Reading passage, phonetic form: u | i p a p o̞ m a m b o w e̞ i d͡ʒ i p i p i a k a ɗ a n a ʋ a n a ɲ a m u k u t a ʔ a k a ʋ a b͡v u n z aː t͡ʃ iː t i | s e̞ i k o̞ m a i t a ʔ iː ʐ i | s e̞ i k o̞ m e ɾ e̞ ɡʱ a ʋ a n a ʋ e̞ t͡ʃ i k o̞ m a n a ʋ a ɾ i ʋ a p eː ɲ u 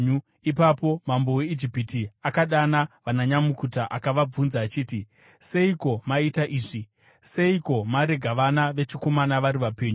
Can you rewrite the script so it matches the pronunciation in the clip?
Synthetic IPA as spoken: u | i p a p o̞ m a m b o w e̞ i d͡ʒ i p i t i a k a ɗ a n a ʋ a n a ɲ a m u k u t a ʔ a k a ʋ a b͡v u n z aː t͡ʃ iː t i | s e̞ i k o̞ m a i t a ʔ iː ʐ i | s e̞ i k o̞ m a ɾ e̞ ɡʱ a ʋ a n a ʋ e̞ t͡ʃ i k o̞ m a n a ʋ a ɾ i ʋ a p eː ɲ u